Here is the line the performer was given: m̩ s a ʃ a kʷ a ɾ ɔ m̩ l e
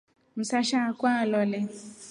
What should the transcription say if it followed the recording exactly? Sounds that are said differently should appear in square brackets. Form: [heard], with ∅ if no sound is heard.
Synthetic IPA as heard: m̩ s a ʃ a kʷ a [l] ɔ [∅] l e